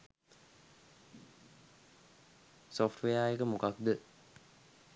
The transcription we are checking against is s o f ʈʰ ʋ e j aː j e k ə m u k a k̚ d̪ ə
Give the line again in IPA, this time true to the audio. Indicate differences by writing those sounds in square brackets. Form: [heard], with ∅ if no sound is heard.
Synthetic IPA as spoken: s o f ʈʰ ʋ e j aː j e k ə m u k a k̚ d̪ ə